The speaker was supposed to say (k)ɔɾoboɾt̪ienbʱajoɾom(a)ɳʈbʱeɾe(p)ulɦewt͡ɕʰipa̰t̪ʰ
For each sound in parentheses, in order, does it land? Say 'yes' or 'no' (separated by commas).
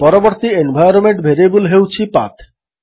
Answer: no, no, no